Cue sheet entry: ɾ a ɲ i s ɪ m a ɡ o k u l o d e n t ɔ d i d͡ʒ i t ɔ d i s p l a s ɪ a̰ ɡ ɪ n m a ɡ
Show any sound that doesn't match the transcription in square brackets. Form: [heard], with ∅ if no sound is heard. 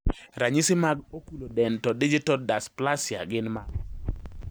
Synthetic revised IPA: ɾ a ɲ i s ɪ m a ɡ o k u l o d [ɛ] n t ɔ d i d͡ʒ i t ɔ d [a] s p l a s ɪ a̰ ɡ ɪ n m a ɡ